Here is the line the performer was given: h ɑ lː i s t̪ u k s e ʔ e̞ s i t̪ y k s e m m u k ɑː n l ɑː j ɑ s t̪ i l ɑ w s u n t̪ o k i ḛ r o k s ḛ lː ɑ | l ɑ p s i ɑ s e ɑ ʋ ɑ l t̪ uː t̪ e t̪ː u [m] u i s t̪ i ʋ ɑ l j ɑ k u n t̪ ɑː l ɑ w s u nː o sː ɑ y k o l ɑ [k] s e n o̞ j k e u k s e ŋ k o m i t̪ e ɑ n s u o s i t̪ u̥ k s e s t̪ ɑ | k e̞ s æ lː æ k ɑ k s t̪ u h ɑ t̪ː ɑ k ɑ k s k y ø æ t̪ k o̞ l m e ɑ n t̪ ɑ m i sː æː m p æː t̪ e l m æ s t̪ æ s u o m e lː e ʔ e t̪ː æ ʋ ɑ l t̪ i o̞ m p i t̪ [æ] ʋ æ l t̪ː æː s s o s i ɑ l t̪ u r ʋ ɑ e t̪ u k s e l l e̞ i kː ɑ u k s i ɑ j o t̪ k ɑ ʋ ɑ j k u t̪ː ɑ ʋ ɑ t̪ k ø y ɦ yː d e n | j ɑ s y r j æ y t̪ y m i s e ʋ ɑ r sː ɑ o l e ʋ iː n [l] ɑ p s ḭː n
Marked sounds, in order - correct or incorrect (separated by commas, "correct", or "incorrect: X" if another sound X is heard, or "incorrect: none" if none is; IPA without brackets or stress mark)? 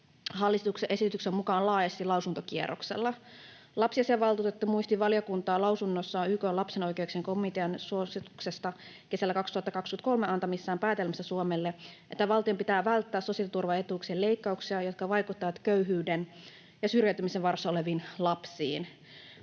correct, incorrect: p, incorrect: æː, correct